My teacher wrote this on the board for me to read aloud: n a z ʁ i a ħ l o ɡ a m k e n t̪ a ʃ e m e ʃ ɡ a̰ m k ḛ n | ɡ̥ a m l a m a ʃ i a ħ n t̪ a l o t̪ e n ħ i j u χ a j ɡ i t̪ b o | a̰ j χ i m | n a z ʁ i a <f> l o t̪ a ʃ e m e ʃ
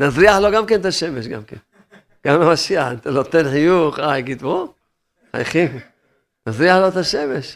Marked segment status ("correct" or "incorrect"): incorrect